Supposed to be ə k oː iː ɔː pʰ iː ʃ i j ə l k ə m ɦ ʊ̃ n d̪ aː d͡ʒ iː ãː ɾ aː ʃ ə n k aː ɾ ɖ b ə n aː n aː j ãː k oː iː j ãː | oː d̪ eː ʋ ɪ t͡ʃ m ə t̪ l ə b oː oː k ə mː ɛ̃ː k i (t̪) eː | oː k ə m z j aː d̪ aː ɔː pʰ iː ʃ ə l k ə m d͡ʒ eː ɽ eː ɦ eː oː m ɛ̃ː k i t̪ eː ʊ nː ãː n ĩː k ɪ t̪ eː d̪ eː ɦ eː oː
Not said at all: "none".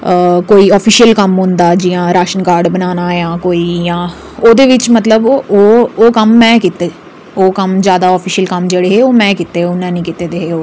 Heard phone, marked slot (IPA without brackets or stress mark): t̪